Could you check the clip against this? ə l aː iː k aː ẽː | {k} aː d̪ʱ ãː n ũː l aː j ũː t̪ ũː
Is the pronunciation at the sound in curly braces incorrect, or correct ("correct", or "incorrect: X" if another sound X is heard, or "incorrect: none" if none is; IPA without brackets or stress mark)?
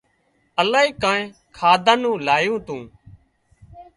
incorrect: kʰ